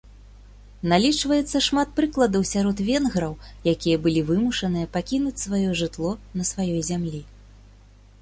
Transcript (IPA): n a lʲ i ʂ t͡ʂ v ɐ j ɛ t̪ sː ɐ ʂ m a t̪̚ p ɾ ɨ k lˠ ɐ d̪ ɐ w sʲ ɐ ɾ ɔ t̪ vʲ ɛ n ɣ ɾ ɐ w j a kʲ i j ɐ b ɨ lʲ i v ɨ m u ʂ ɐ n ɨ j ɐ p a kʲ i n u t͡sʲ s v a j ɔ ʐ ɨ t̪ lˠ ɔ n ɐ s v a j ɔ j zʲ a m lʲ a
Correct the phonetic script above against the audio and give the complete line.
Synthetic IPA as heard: n a lʲ i t͡ʂ v ɐ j ɛ t̪ sː ɐ ʂ m a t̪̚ p ɾ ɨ k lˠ ɐ d̪ ɐ w sʲ a ɾ ɔ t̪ vʲ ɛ n ɣ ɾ ɐ w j a kʲ i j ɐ b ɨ lʲ i v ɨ m u ʂ ɐ n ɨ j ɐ p a kʲ i n u t͡sʲ s v a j ɔ ʐ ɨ t̪ lˠ ɔ n ɐ s v a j ɔ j zʲ a m lʲ i

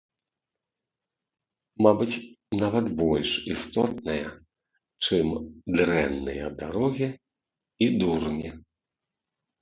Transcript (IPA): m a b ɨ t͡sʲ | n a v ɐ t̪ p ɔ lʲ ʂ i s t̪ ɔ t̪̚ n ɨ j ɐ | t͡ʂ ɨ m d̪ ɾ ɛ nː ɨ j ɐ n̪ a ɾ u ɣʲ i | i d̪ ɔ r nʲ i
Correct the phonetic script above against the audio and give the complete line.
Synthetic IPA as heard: m a b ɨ t͡sʲ | n a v ɐ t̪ b ɔ lʲ ʂ i s t̪ ɔ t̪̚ n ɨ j ɐ | t͡ʂ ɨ m d̪ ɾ ɛ nː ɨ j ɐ d̪ a ɾ ɔ ɣʲ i | i d̪ u r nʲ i

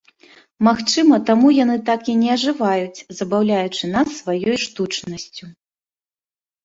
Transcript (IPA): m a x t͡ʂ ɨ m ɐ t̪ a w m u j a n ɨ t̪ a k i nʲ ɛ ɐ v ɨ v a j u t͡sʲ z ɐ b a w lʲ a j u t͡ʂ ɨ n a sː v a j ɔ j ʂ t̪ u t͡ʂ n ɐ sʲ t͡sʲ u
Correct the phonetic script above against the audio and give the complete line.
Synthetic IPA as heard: m a x t͡ʂ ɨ m ɐ t̪ a m u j a n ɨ t̪ a k i nʲ ɛ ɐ ʐ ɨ v a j u t͡sʲ z ɐ b a w lʲ a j u t͡ʂ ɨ n a sː v a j ɔ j ʂ t̪ u t͡ʂ n ɐ sʲ t͡sʲ u

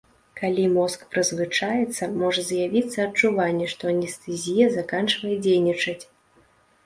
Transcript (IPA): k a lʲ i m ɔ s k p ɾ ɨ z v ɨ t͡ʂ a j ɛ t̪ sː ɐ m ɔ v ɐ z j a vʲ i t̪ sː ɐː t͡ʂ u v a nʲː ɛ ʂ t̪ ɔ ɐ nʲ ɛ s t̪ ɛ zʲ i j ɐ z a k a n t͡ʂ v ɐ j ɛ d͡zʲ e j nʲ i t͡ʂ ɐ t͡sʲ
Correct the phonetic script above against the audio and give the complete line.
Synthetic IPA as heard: k a lʲ i m ɔ s k p ɾ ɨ z v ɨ t͡ʂ a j ɛ t̪ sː ɐ m ɔ ʐ ɐ z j a vʲ i t̪ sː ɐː t͡ʂ u v a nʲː ɛ ʂ t̪ ɔ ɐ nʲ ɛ s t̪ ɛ zʲ i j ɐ z a k a n t͡ʂ v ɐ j ɛ d͡zʲ e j nʲ i t͡ʂ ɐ t͡sʲ

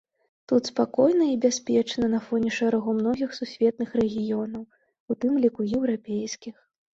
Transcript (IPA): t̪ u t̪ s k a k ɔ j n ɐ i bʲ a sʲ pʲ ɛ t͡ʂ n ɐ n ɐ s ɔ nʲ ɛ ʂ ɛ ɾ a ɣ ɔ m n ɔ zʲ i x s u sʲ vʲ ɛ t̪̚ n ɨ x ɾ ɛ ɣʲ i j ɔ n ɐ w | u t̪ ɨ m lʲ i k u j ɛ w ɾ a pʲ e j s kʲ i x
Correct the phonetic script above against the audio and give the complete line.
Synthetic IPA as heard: t̪ u t̪ s p a k ɔ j n ɐ i bʲ a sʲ pʲ ɛ t͡ʂ n ɐ n ɐ f ɔ nʲ ɛ ʂ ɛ ɾ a ɣ ɔ m n ɔ ɣʲ i x s u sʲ vʲ ɛ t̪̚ n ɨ x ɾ ɛ ɣʲ i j ɔ n ɐ w | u t̪ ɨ m lʲ i k u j ɛ w ɾ a pʲ e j s kʲ i x

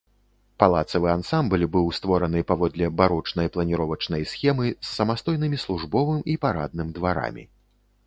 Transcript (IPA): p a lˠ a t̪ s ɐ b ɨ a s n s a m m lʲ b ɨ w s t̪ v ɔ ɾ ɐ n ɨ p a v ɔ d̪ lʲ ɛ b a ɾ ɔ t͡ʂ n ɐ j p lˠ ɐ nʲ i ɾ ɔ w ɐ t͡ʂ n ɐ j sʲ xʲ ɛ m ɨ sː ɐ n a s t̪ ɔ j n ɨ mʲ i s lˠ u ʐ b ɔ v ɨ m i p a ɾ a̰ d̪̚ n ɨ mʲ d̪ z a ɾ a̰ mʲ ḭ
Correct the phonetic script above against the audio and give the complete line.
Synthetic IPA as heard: p a lˠ a t̪ s ɐ v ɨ a n s a m b lʲ b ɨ w s t̪ v ɔ ɾ ɐ n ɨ p a v ɔ d̪ lʲ ɛ b a ɾ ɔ t͡ʂ n ɐ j p lˠ ɐ nʲ i ɾ ɔ v ɐ t͡ʂ n ɐ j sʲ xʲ ɛ m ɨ sː ɐ m a s t̪ ɔ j n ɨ mʲ i s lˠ u ʐ b ɔ v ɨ m i p a ɾ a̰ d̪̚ n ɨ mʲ d̪ v a ɾ a̰ mʲ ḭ

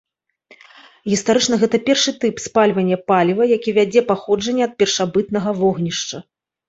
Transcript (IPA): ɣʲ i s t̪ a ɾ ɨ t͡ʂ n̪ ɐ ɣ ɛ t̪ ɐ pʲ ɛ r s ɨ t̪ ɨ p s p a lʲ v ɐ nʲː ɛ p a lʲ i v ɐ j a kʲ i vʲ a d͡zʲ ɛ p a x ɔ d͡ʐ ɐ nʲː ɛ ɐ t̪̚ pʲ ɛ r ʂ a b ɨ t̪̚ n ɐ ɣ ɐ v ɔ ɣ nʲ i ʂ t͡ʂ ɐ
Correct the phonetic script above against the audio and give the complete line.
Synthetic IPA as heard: ɣʲ i s t̪ a ɾ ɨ t͡ʂ n̪ ɐ ɣ ɛ t̪ ɐ pʲ ɛ r ʂ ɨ t̪ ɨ p s p a lʲ v ɐ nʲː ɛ p a lʲ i v ɐ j a kʲ i vʲ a d͡zʲ ɛ p a x ɔ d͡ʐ ɐ nʲː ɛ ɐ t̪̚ pʲ ɛ r ʂ a b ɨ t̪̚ n ɐ ɣ ɐ v ɔ ɣ nʲ i ʂ t͡ʂ ɐ

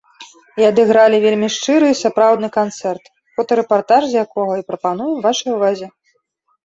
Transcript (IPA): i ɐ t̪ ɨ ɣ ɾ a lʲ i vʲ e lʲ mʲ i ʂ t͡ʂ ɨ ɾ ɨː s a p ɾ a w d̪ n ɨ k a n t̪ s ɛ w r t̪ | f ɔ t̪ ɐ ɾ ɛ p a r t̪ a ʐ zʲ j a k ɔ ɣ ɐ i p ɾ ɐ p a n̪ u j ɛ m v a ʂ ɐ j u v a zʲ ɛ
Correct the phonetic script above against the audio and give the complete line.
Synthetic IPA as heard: i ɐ d̪ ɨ ɣ ɾ a lʲ i vʲ e lʲ mʲ i ʂ t͡ʂ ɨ ɾ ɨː s a p ɾ a w d̪ n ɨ k a n t̪ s ɛ r t̪ | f ɔ t̪ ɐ ɾ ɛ p a r t̪ a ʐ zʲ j a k ɔ ɣ ɐ i p ɾ ɐ p a n̪ u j ɛ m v a ʂ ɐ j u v a zʲ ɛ

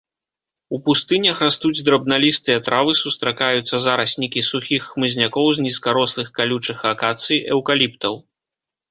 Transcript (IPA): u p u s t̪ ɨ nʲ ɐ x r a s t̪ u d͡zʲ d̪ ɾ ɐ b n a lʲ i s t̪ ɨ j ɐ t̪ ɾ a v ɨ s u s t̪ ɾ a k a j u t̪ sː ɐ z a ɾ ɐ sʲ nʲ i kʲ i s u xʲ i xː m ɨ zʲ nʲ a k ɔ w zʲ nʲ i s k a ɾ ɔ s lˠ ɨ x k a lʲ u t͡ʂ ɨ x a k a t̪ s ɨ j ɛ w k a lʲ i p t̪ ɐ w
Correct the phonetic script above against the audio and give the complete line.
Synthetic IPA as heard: u p u s t̪ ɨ nʲ ɐ x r a s t̪ u d͡zʲ d̪ ɾ ɐ b n a lʲ i s t̪ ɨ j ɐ t̪ ɾ a v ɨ s u s t̪ ɾ a k a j u t̪ sː ɐ z a ɾ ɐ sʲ nʲ i kʲ i s u xʲ i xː m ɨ zʲ nʲ a k ɔ w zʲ nʲ i s k a ɾ ɔ s lˠ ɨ x k a lʲ u t͡ʂ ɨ x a k a t̪ s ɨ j ɛ w k a lʲ i p t̪ ɐ w

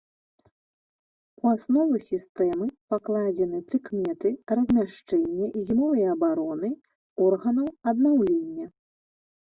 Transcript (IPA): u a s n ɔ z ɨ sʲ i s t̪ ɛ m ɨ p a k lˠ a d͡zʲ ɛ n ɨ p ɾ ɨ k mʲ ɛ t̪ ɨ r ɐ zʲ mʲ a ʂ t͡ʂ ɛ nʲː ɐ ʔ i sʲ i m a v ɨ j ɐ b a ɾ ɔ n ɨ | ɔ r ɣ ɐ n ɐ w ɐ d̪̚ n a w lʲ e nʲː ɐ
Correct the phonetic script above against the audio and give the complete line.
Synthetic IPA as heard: u a s n ɔ v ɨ sʲ i s t̪ ɛ m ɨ p a k lˠ a d͡zʲ ɛ n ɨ p ɾ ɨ k mʲ ɛ t̪ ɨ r ɐ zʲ mʲ a ʂ t͡ʂ ɛ nʲː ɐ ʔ i zʲ i m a v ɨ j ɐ b a ɾ ɔ n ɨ | ɔ r ɣ ɐ n ɐ w ɐ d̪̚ n a w lʲ e nʲː ɐ

